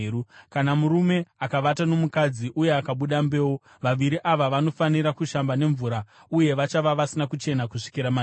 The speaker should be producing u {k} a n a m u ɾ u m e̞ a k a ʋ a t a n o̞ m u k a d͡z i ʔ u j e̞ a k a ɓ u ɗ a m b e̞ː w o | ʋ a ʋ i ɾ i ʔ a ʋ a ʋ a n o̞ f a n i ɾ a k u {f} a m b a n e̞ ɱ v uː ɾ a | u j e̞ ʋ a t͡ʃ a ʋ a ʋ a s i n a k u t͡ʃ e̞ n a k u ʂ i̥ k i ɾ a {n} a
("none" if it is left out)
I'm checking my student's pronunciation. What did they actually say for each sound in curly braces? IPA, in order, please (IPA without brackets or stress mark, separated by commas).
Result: k, ʃ, m